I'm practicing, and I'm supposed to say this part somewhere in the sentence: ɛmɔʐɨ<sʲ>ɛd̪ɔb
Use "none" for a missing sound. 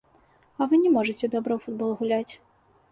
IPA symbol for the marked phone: t͡sʲ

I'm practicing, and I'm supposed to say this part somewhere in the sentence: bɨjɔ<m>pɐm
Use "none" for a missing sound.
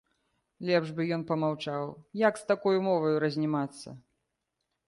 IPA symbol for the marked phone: n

